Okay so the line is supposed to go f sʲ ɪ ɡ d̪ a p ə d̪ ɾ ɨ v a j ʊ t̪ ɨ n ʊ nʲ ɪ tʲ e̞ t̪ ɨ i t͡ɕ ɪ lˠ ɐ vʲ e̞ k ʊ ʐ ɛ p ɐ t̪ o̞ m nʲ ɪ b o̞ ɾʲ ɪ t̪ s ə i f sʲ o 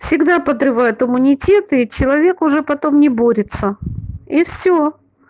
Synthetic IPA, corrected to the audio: f sʲ ɪ ɡ d̪ a p ə d̪ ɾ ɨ v a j ʊ t̪ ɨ m ʊ nʲ ɪ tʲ e̞ t̪ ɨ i t͡ɕ ɪ lˠ ɐ vʲ e̞ k ʊ ʐ ɛ p ɐ t̪ o̞ m nʲ ɪ b o̞ ɾʲ ɪ t̪ s ə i f sʲ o